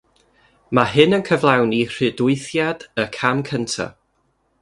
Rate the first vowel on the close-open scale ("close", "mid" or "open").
open